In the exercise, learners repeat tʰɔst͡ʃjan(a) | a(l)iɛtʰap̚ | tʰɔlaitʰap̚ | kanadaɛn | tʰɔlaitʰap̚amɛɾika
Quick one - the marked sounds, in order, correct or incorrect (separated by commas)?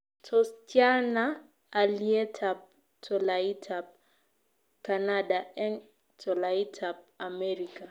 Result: correct, correct